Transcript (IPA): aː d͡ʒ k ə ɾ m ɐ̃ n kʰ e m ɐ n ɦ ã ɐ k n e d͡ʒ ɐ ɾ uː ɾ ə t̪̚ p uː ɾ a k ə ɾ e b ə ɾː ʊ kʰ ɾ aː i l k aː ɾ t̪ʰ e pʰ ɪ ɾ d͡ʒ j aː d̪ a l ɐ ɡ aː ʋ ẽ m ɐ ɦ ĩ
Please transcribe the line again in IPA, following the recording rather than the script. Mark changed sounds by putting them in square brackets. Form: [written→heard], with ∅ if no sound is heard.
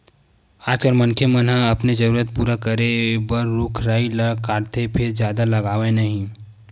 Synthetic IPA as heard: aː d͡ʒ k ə ɾ m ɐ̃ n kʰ e m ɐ n ɦ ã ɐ [k→p] n e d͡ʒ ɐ ɾ uː ɾ ə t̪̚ p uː ɾ a k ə ɾ e b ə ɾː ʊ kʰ ɾ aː i l k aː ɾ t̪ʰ e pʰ ɪ ɾ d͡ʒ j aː d̪ a l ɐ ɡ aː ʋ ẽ [m→n] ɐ ɦ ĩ